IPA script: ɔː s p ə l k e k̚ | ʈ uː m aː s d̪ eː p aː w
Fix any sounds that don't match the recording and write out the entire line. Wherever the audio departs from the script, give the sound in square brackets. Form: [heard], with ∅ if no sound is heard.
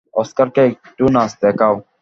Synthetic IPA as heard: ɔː s [k] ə [ɾ] k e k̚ | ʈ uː [n] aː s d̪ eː [k] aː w